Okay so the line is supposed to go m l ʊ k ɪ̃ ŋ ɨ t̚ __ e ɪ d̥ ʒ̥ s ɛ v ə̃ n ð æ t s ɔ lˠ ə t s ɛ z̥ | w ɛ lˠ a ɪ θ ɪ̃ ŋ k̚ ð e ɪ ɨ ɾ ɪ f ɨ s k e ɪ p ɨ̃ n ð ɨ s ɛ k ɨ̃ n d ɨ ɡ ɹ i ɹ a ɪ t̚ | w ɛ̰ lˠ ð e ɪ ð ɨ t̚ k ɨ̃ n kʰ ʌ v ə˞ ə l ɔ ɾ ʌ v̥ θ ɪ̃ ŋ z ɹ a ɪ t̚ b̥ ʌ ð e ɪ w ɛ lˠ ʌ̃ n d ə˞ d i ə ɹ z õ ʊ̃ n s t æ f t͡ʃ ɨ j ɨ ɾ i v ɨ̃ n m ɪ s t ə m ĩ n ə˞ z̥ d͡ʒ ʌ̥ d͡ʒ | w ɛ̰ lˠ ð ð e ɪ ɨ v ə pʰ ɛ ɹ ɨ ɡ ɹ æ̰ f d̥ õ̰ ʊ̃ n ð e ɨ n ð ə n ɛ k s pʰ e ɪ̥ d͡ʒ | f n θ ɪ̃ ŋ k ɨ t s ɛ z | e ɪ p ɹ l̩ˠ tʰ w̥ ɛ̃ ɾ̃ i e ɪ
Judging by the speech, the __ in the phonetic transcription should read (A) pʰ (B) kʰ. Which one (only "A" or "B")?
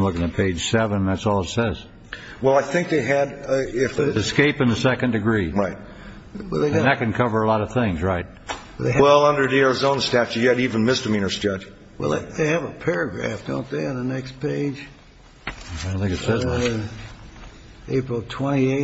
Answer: A